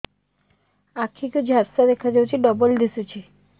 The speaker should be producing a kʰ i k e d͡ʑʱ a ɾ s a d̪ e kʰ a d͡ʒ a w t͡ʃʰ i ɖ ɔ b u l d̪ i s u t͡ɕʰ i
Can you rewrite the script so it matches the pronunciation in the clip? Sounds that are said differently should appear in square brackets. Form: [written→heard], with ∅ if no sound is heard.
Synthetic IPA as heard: a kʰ i k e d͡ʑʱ a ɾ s a d̪ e kʰ a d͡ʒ a w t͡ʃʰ i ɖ ɔ b [u→o] l d̪ i s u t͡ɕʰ i